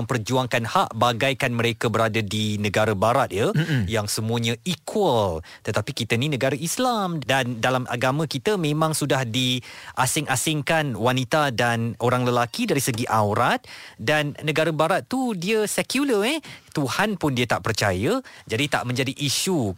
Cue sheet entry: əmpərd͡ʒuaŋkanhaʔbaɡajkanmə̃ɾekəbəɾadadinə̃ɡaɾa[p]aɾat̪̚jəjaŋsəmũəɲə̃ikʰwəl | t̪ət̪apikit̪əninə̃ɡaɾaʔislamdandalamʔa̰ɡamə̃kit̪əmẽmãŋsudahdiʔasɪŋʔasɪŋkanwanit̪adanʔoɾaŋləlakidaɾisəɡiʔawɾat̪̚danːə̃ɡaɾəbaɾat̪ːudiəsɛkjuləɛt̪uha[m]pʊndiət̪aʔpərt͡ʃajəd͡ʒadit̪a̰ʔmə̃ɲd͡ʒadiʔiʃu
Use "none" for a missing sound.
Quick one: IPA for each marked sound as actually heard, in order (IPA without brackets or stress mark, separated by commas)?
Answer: b, n